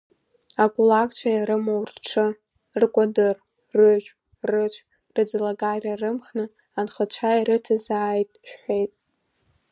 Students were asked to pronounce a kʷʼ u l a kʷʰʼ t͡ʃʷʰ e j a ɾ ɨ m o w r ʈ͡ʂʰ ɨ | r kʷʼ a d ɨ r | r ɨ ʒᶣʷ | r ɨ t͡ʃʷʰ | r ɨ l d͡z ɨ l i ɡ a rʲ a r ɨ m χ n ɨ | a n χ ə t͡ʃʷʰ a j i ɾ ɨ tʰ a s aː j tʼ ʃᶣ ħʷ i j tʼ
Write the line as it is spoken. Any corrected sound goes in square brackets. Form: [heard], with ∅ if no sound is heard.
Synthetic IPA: a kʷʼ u l a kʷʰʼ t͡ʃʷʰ [a] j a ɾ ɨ m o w r ʈ͡ʂʰ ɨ | r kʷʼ a d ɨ r | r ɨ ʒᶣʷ | r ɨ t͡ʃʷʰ | r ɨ [∅] d͡z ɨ l [a] ɡ a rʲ a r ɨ m χ n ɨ | a n χ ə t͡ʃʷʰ a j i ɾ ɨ tʰ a [z] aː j tʼ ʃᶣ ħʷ [e] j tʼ